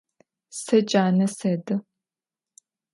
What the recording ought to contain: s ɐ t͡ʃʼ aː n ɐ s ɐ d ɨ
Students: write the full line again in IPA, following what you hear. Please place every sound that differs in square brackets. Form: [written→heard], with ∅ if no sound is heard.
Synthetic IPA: s ɐ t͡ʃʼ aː n ɐ s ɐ d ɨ